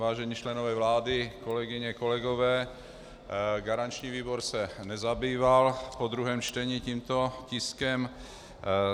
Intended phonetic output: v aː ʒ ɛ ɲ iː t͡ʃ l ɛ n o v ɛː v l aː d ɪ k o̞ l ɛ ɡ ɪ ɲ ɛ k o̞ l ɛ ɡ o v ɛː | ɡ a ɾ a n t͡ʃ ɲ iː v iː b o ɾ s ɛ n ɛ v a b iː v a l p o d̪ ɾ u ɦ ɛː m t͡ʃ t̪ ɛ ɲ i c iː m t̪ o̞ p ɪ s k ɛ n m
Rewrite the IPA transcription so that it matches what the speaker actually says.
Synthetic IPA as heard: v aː ʒ ɛ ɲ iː t͡ʃ l ɛ n o v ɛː v l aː d ɪ k o̞ l ɛ ɡ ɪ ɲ ɛ k o̞ l ɛ ɡ o v ɛː | ɡ a ɾ a n t͡ʃ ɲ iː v iː b o ɾ s ɛ n ɛ z a b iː v a l p o d̪ ɾ u ɦ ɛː m t͡ʃ t̪ ɛ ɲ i c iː m t̪ o̞ c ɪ s k ɛ m

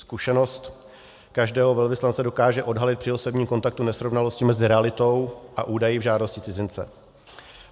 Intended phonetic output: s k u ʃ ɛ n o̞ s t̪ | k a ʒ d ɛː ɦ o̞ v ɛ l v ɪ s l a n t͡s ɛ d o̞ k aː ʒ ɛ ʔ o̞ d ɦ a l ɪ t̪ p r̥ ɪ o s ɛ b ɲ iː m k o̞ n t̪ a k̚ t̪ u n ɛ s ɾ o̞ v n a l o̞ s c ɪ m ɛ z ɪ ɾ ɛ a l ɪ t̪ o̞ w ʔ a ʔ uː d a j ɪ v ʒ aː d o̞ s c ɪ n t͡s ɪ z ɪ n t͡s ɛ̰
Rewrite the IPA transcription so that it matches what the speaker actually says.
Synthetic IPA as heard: s k u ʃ ɛ n o̞ s t̪ | k a ʒ d ɛː ɦ o̞ v ɛ l v ɪ s l a n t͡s ɛ d o̞ k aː ʒ ɛ ʔ o̞ d ɦ a l ɪ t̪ p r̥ ɪ o s ɛ b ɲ iː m k o̞ n t̪ a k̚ t̪ u n ɛ s ɾ o̞ v n a l o̞ s c ɪ m ɛ z ɪ ɾ ɛ a l ɪ t̪ o̞ w ʔ a ʔ uː d a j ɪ v ʒ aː d o̞ s c ɪ t͡s ɪ z ɪ n t͡s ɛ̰

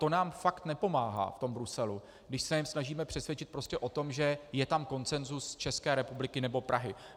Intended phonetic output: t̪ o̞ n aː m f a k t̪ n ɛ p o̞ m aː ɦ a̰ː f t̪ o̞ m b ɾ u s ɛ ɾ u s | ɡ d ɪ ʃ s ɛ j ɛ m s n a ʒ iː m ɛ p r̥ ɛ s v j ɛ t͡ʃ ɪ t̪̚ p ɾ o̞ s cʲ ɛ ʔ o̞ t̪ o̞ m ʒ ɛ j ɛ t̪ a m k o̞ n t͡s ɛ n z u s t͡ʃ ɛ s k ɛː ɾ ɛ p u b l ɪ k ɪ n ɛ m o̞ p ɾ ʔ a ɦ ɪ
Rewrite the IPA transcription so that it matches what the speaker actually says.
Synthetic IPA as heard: t̪ o̞ n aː m f a k t̪ n ɛ p o̞ m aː ɦ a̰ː f t̪ o̞ m b ɾ u s ɛ l u | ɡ d ɪ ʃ s ɛ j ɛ m s n a ʒ iː m ɛ p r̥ ɛ s v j ɛ t͡ʃ ɪ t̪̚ p ɾ o̞ s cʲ ɛ ʔ o̞ t̪ o̞ m ʒ ɛ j ɛ t̪ a m k o̞ n t͡s ɛ n z u s t͡ʃ ɛ s k ɛː ɾ ɛ p u b l ɪ k ɪ n ɛ b o̞ p ɾ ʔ a ɦ ɪ

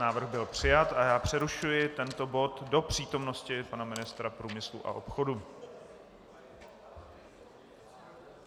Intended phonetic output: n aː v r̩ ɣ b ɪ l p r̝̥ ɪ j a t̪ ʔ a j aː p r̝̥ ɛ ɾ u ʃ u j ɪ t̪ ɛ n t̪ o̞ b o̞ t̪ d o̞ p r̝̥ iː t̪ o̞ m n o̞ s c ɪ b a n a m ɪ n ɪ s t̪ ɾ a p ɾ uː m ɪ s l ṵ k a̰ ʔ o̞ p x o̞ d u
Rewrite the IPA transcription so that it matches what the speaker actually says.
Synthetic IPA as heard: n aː v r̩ ɣ b ɪ l p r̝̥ ɪ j a t̪ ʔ a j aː p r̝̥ ɛ ɾ u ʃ u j ɪ t̪ ɛ n t̪ o̞ b o̞ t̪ d o̞ p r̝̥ iː t̪ o̞ m n o̞ s c ɪ p a n a m ɪ n ɪ s t̪ ɾ a p ɾ uː m ɪ s l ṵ ʔ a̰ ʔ o̞ p x o̞ d u

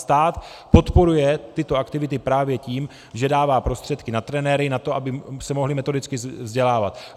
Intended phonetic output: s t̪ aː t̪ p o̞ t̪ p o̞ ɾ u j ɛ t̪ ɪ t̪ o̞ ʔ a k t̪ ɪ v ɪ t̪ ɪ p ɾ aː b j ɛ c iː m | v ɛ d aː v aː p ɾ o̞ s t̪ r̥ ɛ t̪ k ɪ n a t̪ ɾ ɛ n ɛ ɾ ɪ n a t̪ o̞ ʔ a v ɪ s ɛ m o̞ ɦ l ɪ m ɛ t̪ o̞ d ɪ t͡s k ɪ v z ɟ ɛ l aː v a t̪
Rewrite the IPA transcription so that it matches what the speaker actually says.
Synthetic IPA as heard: s t̪ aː t̪ p o̞ t̪ p o̞ ɾ u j ɛ t̪ ɪ t̪ o̞ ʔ a k t̪ ɪ v ɪ t̪ ɪ p ɾ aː v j ɛ c iː m | ʒ ɛ d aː v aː p ɾ o̞ s t̪ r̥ ɛ t̪ k ɪ n a t̪ ɾ ɛ n ɛ ɾ ɪ n a t̪ o̞ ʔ a b ɪ s ɛ m o̞ ɦ l ɪ m ɛ t̪ o̞ d ɪ t͡s k ɪ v z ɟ ɛ l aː v a t̪

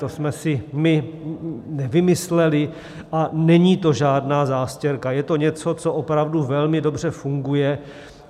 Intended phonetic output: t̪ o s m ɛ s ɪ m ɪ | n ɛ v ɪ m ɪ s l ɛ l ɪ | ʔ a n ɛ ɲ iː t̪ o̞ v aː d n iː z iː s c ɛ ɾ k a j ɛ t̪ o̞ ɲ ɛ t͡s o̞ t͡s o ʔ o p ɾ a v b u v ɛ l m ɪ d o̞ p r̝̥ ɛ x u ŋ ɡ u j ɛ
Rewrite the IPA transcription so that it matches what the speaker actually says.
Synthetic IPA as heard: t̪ o s m ɛ s ɪ m ɪ | n ɛ v ɪ m ɪ s l ɛ l ɪ | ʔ a n ɛ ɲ iː t̪ o̞ ʒ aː d n aː z aː s c ɛ ɾ k a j ɛ t̪ o̞ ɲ ɛ t͡s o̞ t͡s o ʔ o p ɾ a v d u v ɛ l m ɪ d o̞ b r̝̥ ɛ f u ŋ ɡ u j ɛ

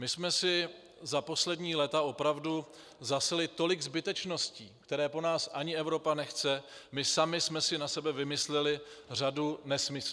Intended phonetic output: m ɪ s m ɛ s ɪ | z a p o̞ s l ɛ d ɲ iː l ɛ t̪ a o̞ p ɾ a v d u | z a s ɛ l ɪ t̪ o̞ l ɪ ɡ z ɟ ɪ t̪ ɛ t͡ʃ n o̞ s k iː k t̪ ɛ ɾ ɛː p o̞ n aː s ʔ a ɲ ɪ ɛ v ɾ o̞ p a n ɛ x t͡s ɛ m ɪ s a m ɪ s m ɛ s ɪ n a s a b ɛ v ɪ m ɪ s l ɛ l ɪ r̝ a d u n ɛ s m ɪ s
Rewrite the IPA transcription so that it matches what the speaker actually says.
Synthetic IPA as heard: m ɪ s m ɛ s ɪ | z a p o̞ s l ɛ d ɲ iː l ɛ t̪ a o̞ p ɾ a v d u | z a s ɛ l ɪ t̪ o̞ l ɪ ɡ z b ɪ t̪ ɛ t͡ʃ n o̞ s c iː k t̪ ɛ ɾ ɛː p o̞ n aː s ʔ a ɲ ɪ ɛ v ɾ o̞ p a n ɛ x t͡s ɛ m ɪ s a m ɪ s m ɛ s ɪ n a s ɛ b ɛ v ɪ m ɪ s l ɛ l ɪ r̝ a d u n ɛ s m ɪ s

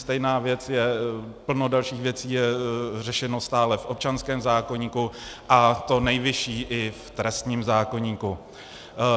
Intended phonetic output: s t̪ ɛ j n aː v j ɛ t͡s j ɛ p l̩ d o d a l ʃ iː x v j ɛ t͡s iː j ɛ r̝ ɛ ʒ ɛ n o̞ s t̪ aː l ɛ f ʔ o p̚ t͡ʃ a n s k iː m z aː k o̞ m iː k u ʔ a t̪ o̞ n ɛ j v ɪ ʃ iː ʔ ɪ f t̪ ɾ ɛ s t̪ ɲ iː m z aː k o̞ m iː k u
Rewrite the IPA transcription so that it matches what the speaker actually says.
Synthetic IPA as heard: s t̪ ɛ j n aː v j ɛ t͡s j ɛ p l̩ n o d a l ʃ iː x v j ɛ t͡s iː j ɛ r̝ ɛ ʃ ɛ n o̞ s t̪ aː l ɛ f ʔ o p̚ t͡ʃ a n s k ɛː m z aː k o̞ ɲ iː k u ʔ a t̪ o̞ n ɛ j v ɪ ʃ iː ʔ ɪ f t̪ ɾ ɛ s t̪ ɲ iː m z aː k o̞ ɲ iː k u

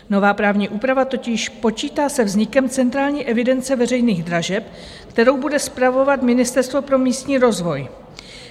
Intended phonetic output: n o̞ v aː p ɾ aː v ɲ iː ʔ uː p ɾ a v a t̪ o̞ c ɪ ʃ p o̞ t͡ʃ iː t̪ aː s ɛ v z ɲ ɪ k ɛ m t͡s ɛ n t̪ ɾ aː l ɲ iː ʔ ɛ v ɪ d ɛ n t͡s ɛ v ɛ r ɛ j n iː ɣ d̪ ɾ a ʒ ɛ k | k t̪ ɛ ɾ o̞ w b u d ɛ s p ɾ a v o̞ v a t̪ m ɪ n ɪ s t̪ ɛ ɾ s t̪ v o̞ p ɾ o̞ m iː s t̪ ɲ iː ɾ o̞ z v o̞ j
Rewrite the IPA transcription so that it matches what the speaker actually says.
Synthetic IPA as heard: n o̞ v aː p ɾ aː v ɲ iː ʔ uː p ɾ a v a t̪ o̞ c ɪ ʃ p o̞ t͡ʃ iː t̪ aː s ɛ v z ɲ ɪ k ɛ m t͡s ɛ n t̪ ɾ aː l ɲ iː ʔ ɛ v ɪ d ɛ n t͡s ɛ v ɛ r ɛ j n iː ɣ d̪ ɾ a ʒ ɛ p | k t̪ ɛ ɾ o̞ w b u d ɛ s p ɾ a v o̞ v a t̪ m ɪ n ɪ s t̪ ɛ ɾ s t̪ v o̞ p ɾ o̞ m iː s t̪ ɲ iː ɾ o̞ z v o̞ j

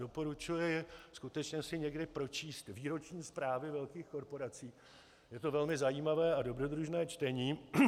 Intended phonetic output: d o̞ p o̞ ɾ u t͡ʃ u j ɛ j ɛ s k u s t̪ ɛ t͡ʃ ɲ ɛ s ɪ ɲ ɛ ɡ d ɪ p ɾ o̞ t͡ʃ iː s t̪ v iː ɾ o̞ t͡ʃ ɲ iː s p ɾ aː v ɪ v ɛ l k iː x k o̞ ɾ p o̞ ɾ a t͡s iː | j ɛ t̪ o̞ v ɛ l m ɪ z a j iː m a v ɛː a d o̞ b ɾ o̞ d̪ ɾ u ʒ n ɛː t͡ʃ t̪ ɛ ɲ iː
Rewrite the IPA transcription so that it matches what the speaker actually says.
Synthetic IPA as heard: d o̞ p o̞ ɾ u t͡ʃ u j ɛ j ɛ s k u t̪ ɛ t͡ʃ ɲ ɛ s ɪ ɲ ɛ ɡ d ɪ p ɾ o̞ t͡ʃ iː s t̪ v iː ɾ o̞ t͡ʃ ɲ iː s p ɾ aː v ɪ v ɛ l k iː x k o̞ ɾ p o̞ ɾ a t͡s iː | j ɛ t̪ o̞ v ɛ l m ɪ z a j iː m a v ɛː a d o̞ b ɾ o̞ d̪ ɾ u ʒ n ɛː t͡ʃ t̪ ɛ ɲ iː

